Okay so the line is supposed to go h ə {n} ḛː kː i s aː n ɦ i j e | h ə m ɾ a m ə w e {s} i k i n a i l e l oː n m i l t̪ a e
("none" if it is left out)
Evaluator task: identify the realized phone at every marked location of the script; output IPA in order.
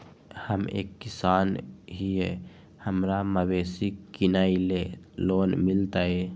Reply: m, s

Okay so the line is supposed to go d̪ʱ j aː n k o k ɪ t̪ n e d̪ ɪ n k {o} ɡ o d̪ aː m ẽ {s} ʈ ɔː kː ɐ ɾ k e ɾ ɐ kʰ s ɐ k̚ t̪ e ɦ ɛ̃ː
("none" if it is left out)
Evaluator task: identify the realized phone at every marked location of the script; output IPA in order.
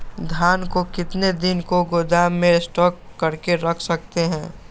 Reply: o, s

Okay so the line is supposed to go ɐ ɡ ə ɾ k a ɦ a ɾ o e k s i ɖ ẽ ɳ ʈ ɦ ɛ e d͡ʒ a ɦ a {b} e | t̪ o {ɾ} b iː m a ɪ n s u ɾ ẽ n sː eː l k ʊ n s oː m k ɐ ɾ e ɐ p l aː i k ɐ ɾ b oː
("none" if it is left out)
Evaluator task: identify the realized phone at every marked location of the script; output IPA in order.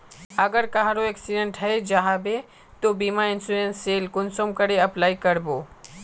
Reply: b, none

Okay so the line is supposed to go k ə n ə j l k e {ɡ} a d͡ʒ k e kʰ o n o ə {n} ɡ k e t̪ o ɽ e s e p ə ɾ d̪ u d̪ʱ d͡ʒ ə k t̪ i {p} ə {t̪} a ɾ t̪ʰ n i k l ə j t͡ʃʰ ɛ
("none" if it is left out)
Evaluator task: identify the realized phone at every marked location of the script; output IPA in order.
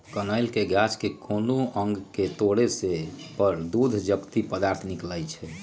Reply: ɡ, ŋ, p, d̪

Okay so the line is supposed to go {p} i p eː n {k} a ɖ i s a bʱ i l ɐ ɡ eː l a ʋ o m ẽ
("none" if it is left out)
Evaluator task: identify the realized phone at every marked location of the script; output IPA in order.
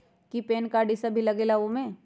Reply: k, k

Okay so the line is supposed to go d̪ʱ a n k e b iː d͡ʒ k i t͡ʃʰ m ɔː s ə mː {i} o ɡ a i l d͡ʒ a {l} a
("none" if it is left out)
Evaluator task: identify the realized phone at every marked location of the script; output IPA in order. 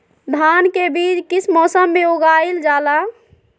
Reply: e, l

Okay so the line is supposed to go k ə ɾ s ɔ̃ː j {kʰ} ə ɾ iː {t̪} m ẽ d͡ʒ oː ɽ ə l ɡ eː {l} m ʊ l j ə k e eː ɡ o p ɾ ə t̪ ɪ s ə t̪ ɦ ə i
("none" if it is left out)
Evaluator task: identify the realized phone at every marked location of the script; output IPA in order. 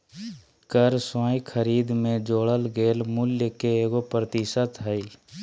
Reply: kʰ, d̪, l

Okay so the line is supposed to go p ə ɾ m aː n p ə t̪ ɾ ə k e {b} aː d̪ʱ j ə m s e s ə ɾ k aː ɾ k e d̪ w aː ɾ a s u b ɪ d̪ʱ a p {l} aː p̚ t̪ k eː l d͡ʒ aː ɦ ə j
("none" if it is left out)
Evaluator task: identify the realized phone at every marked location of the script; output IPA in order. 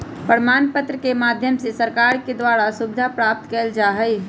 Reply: m, ɾ

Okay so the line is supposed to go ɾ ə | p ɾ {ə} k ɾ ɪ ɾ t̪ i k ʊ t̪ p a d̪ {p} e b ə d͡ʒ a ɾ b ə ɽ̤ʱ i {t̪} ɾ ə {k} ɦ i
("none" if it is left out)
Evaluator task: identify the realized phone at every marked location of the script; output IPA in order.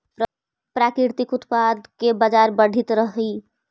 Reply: a, k, t̪, none

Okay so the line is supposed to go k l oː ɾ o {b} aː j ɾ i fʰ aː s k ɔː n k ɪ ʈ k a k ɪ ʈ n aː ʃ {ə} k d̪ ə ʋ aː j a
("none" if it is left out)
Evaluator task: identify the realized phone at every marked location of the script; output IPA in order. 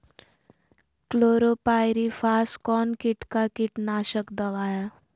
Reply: p, ə

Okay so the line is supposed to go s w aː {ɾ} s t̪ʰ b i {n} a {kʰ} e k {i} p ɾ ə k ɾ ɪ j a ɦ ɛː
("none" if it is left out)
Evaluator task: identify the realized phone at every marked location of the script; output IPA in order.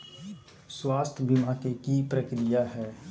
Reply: none, m, k, i

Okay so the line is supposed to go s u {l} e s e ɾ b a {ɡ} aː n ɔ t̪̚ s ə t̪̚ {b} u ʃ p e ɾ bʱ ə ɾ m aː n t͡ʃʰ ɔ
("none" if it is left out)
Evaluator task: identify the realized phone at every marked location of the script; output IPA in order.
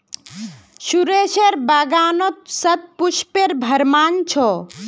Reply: ɾ, ɡ, p

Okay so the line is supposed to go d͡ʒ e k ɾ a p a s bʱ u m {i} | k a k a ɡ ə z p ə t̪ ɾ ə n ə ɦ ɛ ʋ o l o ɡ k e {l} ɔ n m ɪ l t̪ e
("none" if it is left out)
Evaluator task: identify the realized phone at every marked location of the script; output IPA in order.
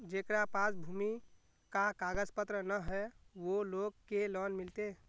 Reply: i, l

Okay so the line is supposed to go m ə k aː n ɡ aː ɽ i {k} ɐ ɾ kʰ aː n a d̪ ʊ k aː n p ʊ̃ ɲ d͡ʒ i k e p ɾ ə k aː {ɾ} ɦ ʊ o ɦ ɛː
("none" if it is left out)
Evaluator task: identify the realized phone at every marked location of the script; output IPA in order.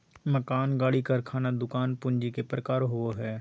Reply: k, ɾ

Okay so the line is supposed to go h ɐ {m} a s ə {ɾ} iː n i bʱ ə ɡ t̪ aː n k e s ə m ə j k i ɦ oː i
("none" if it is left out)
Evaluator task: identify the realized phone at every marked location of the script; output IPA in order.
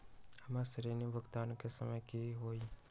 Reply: m, ɾ

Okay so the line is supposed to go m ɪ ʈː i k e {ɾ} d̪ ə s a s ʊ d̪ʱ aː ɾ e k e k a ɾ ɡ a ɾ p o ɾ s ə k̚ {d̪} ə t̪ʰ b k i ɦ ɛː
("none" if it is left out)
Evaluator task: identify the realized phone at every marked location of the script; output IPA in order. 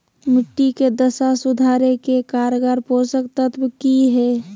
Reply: none, t̪

